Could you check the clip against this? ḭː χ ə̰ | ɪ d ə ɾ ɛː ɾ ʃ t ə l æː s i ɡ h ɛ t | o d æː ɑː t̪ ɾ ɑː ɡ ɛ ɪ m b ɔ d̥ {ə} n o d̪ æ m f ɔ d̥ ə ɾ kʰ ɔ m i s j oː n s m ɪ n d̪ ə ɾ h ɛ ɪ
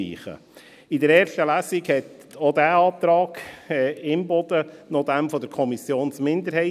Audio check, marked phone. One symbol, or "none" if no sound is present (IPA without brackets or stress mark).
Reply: ə